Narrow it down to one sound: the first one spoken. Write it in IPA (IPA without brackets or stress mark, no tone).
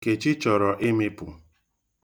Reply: k